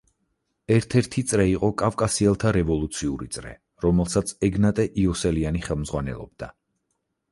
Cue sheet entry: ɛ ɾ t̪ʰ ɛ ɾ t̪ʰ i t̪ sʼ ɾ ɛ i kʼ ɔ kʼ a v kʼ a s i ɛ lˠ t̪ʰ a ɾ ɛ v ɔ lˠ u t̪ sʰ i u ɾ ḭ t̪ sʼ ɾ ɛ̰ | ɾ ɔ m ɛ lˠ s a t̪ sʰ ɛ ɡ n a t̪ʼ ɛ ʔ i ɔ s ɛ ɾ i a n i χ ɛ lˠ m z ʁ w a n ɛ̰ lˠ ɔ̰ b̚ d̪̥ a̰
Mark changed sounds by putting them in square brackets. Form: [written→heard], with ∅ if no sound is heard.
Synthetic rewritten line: ɛ ɾ t̪ʰ ɛ ɾ t̪ʰ i t̪ sʼ ɾ ɛ i [kʼ→qʼ] ɔ kʼ a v kʼ a s i ɛ lˠ t̪ʰ a ɾ ɛ v ɔ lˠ u t̪ sʰ i u ɾ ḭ t̪ sʼ ɾ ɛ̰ | ɾ ɔ m ɛ lˠ s a t̪ sʰ ɛ ɡ n a t̪ʼ ɛ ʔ i ɔ s ɛ [ɾ→l] i a n i χ ɛ lˠ m z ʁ w a n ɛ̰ lˠ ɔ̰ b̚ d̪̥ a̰